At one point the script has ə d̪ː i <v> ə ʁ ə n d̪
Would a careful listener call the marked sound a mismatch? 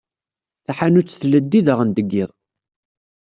yes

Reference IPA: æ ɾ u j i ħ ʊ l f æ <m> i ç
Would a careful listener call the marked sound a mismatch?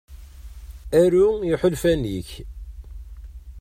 yes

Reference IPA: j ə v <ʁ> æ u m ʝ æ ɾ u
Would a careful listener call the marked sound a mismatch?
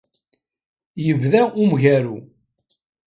yes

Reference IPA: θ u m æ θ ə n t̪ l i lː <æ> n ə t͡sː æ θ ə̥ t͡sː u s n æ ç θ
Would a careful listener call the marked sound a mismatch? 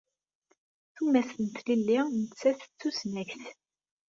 yes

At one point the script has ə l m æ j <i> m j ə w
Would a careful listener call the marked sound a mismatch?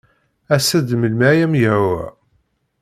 yes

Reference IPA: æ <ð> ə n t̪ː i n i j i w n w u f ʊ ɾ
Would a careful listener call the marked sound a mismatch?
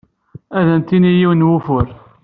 no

